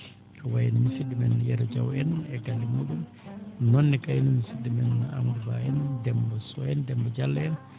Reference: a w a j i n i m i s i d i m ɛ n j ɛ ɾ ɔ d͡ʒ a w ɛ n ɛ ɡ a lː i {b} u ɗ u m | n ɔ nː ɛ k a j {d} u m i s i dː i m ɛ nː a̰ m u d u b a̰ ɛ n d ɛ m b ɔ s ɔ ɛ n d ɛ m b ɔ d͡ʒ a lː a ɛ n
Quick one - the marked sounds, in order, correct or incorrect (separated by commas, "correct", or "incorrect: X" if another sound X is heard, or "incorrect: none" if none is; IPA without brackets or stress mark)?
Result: incorrect: m, incorrect: n